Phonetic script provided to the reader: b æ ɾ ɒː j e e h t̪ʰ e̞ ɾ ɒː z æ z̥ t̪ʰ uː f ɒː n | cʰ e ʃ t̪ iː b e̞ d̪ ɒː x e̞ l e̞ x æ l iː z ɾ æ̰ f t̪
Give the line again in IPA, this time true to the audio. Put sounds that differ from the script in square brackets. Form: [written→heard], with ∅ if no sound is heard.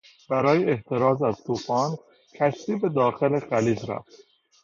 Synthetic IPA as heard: b æ ɾ ɒː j e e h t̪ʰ e̞ ɾ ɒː z æ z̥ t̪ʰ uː f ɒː n | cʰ [e→æ] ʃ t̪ iː b e̞ d̪ ɒː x e̞ l e̞ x æ l iː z ɾ æ̰ f t̪